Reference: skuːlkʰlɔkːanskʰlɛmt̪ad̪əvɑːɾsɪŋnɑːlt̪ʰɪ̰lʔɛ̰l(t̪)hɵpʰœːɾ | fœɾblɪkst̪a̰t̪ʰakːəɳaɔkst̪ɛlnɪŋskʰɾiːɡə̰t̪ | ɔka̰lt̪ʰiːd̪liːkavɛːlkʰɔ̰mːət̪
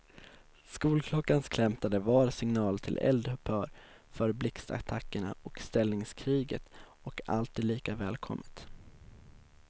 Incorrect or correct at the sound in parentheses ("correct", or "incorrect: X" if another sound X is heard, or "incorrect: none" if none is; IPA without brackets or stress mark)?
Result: incorrect: d̪